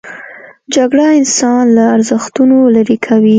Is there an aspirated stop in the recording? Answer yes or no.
yes